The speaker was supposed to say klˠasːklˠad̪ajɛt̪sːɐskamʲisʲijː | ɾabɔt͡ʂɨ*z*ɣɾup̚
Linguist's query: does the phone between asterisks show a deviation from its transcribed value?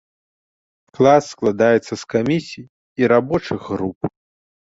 yes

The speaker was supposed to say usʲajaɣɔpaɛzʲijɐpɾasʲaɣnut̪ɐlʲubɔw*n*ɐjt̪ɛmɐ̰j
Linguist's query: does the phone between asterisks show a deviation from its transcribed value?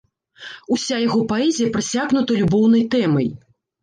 no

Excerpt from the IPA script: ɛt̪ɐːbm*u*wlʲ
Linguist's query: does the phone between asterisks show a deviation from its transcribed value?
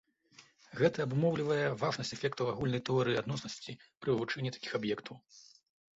yes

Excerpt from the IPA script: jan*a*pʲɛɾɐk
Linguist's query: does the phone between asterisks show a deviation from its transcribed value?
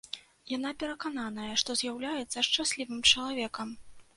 no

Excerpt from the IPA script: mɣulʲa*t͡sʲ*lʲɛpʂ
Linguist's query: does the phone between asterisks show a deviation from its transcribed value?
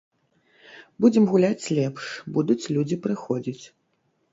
no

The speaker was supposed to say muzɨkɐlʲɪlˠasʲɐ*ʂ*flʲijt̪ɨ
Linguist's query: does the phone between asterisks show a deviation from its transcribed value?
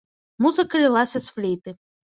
yes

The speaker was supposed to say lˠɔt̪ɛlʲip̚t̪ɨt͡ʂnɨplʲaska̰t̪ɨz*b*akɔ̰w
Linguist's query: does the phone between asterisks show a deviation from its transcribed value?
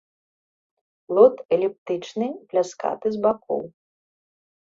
no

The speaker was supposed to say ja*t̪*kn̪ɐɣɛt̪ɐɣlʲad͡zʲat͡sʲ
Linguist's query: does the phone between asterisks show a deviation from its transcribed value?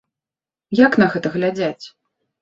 yes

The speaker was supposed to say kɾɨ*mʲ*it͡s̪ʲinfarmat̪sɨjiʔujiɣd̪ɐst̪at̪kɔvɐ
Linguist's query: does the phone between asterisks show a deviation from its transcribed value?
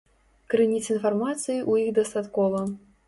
yes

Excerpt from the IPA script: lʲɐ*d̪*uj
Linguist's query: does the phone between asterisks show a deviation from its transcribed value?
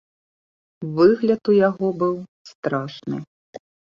yes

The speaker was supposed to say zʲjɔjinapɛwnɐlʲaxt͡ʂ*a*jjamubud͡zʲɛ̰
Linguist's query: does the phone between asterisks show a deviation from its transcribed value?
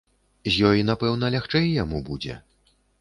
yes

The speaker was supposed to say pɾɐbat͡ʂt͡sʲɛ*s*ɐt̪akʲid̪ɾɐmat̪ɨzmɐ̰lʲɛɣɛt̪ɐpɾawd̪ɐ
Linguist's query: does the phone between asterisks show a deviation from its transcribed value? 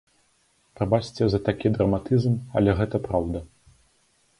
yes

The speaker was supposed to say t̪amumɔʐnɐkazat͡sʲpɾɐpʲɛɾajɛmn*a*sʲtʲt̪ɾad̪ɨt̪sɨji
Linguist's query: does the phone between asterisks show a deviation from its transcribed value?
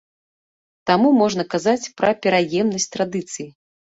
yes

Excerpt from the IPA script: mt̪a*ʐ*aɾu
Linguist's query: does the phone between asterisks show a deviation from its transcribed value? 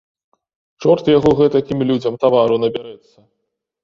yes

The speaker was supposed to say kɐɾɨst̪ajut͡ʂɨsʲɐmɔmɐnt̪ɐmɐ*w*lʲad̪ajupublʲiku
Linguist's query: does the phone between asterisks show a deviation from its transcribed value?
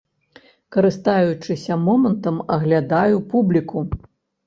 yes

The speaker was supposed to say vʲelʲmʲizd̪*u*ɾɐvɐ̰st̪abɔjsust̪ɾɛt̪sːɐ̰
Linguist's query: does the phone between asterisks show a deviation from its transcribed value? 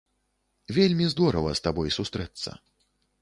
yes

